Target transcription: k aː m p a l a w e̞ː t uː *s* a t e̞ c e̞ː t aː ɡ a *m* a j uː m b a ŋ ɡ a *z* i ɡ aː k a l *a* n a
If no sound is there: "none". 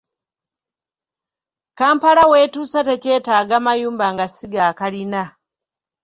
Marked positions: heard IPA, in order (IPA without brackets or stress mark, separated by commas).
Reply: s, m, s, i